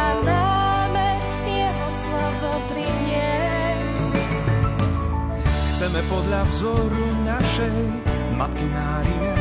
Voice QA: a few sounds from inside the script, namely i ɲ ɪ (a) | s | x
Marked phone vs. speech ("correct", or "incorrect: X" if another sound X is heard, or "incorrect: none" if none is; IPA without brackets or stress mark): incorrect: ɛ